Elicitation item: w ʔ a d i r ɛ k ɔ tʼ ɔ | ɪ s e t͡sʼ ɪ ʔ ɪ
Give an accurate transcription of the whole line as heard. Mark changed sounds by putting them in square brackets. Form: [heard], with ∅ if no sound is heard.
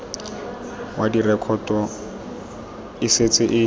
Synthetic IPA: w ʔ a d i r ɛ [kʰ] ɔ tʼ ɔ | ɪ s e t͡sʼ ɪ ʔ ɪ